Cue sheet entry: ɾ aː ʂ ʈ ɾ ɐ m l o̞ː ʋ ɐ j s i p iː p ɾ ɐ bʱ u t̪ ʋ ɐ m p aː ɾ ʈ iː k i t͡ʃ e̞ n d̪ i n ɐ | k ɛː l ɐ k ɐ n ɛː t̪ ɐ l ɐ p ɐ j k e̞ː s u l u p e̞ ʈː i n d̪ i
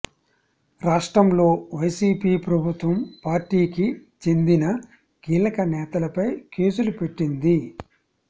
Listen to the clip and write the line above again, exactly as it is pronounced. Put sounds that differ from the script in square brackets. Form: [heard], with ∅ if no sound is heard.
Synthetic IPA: ɾ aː ʂ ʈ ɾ ɐ m l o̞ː ʋ ɐ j s [iː] p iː p ɾ ɐ bʱ u t̪ ʋ ɐ m p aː ɾ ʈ iː k i t͡ʃ e̞ n d̪ i n ɐ | k [iː] l ɐ k ɐ n ɛː t̪ ɐ l ɐ p ɐ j k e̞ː s u l u p e̞ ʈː i n d̪ i

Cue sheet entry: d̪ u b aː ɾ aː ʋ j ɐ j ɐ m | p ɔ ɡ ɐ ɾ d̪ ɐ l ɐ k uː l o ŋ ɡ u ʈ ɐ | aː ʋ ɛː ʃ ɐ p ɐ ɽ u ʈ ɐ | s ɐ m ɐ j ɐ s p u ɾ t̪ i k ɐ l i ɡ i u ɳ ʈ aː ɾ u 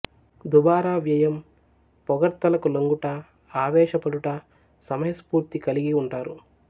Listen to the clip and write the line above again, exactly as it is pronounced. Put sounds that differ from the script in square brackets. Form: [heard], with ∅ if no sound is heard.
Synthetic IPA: d̪ u b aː ɾ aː ʋ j ɐ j ɐ m | p ɔ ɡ ɐ ɾ [t̪] ɐ l ɐ k [u] l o ŋ ɡ u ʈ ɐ | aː ʋ ɛː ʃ ɐ p ɐ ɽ u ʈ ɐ | s ɐ m ɐ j ɐ s p [uː] ɾ t̪ i k ɐ l i ɡ i u ɳ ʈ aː ɾ u

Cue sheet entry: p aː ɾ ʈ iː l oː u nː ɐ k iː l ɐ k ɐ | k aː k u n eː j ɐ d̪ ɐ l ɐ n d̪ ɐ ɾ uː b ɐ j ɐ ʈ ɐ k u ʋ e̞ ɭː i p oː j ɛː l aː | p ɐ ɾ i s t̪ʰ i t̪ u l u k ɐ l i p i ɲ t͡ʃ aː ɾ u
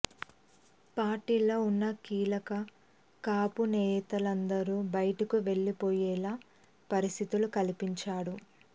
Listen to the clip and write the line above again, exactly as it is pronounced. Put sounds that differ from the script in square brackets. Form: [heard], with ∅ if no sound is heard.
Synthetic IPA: p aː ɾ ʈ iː l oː u nː ɐ k iː l ɐ k ɐ | k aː [p] u n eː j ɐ [t̪] ɐ l ɐ n d̪ ɐ ɾ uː b ɐ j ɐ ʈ ɐ k u ʋ e̞ ɭː i p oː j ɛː l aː | p ɐ ɾ i s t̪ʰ i t̪ u l u k ɐ l i p i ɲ t͡ʃ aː [ɽ] u

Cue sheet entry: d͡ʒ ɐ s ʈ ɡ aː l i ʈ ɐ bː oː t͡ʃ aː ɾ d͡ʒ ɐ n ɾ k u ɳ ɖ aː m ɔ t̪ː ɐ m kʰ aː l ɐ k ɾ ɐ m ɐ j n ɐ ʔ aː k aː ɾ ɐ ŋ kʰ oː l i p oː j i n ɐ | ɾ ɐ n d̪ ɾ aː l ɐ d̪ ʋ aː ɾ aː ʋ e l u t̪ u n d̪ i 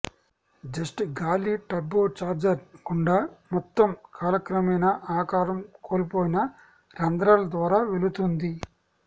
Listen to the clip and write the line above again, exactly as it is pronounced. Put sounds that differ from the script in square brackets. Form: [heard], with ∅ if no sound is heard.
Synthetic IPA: d͡ʒ ɐ s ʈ ɡ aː l i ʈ ɐ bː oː t͡ʃ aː ɾ d͡ʒ ɐ [∅] ɾ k u ɳ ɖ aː m ɔ t̪ː ɐ m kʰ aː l ɐ k ɾ ɐ m ɐ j n ɐ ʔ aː k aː ɾ ɐ [m] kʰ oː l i p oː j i n ɐ | ɾ ɐ n d̪ ɾ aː l ɐ d̪ ʋ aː ɾ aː ʋ e l u t̪ u n d̪ i

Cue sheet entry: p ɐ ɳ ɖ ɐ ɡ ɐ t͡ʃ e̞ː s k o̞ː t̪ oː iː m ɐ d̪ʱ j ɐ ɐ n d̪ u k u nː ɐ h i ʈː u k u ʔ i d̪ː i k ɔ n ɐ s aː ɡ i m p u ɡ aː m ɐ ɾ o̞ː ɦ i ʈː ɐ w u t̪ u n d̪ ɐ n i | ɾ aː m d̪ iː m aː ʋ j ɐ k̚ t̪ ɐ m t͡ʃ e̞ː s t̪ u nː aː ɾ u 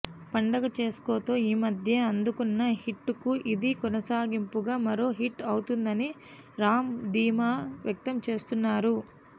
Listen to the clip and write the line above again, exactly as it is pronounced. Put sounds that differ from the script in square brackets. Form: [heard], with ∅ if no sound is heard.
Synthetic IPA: p ɐ ɳ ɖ ɐ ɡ ɐ t͡ʃ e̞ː s k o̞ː t̪ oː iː m ɐ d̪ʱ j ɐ ɐ n d̪ u k u nː ɐ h i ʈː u k u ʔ i [d̪] i k ɔ n ɐ s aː ɡ i m p u ɡ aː m ɐ ɾ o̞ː ɦ i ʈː ɐ w u t̪ u n d̪ ɐ n i | ɾ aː m d̪ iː m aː ʋ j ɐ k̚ t̪ ɐ m t͡ʃ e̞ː s t̪ u nː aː ɾ u

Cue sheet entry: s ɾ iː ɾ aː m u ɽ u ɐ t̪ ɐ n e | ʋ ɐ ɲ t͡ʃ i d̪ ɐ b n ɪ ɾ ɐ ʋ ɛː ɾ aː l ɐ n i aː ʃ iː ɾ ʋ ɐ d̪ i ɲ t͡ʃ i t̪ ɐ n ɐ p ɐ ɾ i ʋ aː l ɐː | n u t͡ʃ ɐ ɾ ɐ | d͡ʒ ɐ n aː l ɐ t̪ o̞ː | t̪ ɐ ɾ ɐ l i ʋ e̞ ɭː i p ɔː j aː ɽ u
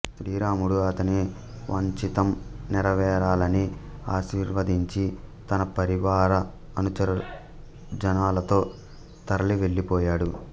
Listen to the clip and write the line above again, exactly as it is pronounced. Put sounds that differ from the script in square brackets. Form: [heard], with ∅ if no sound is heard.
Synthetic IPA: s ɾ iː ɾ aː m u ɽ u ɐ t̪ ɐ n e | ʋ ɐ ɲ t͡ʃ i [t̪] ɐ [m] n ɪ ɾ ɐ ʋ ɛː ɾ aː l ɐ n i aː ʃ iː ɾ ʋ ɐ d̪ i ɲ t͡ʃ i t̪ ɐ n ɐ p ɐ ɾ i ʋ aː [ɾ] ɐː | n u t͡ʃ ɐ ɾ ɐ | d͡ʒ ɐ n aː l ɐ t̪ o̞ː | t̪ ɐ ɾ ɐ l i ʋ e̞ ɭː i p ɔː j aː ɽ u

